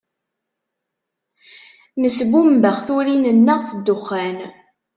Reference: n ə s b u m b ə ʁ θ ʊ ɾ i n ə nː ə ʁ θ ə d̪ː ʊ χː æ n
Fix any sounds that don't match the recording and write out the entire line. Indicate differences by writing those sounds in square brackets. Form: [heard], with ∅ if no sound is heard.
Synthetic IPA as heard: n ə s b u m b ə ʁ θ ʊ ɾ i n ə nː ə ʁ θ ə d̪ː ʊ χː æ n

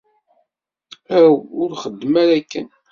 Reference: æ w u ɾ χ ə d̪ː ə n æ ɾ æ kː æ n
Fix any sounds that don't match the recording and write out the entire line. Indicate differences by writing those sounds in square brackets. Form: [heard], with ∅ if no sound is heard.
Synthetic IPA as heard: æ w [ʊ] ɾ χ ə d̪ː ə [m] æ ɾ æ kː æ n

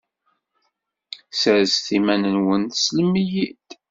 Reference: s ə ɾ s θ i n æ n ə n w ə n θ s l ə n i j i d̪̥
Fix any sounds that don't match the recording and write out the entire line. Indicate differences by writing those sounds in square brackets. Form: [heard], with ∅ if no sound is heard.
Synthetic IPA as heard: s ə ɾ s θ i [m] æ n ə n w ə n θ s l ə [m] i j i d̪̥

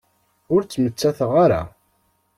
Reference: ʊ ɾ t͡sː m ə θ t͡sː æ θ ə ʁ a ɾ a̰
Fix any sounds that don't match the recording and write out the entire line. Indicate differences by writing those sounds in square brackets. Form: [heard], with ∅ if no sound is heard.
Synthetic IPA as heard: ʊ ɾ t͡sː m ə [∅] t͡sː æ θ ə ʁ a ɾ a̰

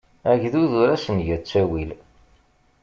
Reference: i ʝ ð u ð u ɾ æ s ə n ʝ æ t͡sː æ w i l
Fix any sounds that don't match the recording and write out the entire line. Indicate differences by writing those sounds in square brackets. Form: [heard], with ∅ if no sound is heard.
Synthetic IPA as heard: [æ] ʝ ð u ð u ɾ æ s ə n ʝ æ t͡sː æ w i l

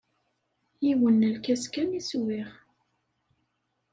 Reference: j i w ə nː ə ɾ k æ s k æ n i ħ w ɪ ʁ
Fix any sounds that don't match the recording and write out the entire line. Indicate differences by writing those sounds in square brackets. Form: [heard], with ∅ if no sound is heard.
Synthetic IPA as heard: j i w ə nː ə [l] k æ s k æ n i [s] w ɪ ʁ

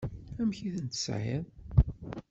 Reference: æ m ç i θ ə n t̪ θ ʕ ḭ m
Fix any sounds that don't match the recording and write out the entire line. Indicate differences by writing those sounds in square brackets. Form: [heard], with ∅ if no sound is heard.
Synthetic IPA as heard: æ m ç i θ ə n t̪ [s] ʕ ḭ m

